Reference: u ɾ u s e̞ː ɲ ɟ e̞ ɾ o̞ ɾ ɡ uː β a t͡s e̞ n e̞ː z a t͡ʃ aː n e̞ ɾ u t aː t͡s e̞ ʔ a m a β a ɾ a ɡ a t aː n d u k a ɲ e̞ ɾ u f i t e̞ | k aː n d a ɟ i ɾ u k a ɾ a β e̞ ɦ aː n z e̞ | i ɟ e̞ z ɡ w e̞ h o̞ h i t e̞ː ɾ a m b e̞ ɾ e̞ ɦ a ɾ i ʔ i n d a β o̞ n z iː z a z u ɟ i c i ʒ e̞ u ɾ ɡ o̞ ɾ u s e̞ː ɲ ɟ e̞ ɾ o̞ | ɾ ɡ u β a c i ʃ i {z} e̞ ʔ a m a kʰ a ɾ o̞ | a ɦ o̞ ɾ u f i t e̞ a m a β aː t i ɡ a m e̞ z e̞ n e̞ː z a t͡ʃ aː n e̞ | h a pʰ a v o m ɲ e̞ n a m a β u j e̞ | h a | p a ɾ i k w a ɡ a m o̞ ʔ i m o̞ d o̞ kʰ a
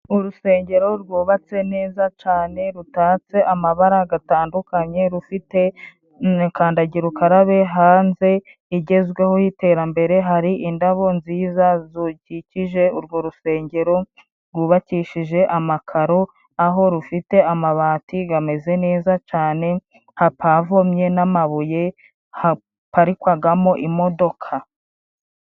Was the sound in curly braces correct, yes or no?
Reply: no